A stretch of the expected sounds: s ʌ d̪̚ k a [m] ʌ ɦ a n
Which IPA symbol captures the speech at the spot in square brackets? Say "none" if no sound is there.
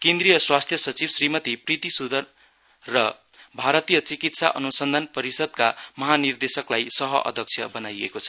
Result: m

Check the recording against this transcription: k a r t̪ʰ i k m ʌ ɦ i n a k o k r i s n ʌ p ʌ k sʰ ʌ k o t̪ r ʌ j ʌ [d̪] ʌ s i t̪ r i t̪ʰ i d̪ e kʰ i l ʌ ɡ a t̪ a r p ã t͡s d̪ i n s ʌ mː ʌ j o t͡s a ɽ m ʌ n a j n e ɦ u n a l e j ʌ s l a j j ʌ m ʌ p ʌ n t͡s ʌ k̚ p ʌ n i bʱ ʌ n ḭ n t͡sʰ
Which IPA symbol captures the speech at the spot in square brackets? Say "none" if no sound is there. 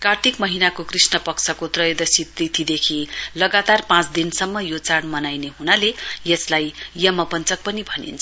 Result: d̪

